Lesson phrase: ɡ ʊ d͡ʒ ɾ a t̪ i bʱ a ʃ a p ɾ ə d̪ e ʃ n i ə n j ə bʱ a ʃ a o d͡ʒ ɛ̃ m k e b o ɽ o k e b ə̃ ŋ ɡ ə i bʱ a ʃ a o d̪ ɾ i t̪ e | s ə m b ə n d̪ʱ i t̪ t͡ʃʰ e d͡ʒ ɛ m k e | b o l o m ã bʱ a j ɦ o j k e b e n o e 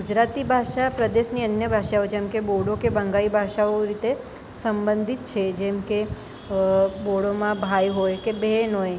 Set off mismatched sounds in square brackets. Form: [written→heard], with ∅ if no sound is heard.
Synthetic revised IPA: ɡ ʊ d͡ʒ ɾ a t̪ i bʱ a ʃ a p ɾ ə d̪ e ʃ n i ə n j ə bʱ a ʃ a o d͡ʒ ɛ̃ m k e b o ɽ o k e b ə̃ ŋ ɡ [ə→a] i bʱ a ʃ a o [d̪→∅] ɾ i t̪ e | s ə m b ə n d̪ʱ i t̪ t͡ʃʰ e d͡ʒ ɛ m k e | b o [l→ɽ] o m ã bʱ a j ɦ o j k e b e n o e